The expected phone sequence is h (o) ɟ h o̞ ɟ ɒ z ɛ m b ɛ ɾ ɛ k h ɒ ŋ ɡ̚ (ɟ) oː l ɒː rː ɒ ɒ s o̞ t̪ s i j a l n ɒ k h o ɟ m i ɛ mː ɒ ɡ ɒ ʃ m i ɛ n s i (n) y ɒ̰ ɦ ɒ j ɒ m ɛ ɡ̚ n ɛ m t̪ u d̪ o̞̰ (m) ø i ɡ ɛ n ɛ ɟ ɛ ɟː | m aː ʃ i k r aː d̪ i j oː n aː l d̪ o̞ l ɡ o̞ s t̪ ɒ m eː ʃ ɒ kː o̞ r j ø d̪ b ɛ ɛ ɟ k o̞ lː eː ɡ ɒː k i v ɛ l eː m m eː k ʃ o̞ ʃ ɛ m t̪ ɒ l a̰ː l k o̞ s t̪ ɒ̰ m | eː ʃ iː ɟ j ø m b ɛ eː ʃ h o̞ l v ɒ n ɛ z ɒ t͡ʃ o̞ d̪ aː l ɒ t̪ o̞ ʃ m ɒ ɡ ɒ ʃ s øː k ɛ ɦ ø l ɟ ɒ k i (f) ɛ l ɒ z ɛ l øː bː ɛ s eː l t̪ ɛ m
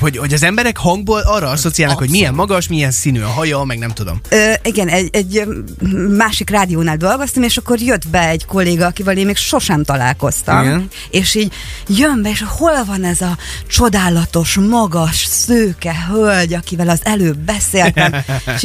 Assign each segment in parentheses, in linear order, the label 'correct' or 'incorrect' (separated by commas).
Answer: correct, incorrect, correct, correct, incorrect